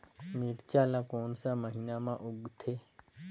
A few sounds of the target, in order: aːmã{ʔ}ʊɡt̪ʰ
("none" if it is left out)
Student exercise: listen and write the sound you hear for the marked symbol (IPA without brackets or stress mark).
ʔ